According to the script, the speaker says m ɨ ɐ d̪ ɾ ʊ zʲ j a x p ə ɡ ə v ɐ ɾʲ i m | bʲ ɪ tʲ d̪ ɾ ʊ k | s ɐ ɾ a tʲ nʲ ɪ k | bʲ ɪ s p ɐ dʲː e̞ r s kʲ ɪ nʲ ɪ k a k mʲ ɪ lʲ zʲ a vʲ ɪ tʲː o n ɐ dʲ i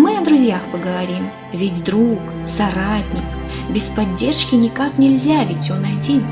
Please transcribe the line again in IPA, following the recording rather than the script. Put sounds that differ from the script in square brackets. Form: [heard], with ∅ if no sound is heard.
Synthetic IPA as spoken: m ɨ ɐ d̪ ɾ ʊ zʲ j a x p ə ɡ ə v ɐ ɾʲ i m | [vʲ] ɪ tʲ d̪ ɾ [u] k | s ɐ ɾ a tʲ nʲ ɪ k | bʲ ɪ s p ɐ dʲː e̞ r [ʂ] kʲ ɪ nʲ ɪ k a k [nʲ] ɪ lʲ zʲ a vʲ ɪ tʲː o n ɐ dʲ i